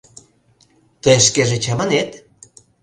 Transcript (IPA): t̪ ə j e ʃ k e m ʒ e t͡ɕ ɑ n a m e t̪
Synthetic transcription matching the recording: t̪ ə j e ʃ k e ʒ e t͡ɕ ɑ m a n e t̪